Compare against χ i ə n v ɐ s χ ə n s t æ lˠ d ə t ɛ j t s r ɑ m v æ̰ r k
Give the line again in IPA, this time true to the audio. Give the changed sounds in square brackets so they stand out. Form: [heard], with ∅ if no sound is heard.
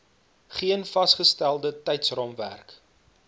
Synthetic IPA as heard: χ i ə n [f] ɐ s χ ə [∅] s t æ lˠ d ə t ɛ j t s r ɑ m v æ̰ r k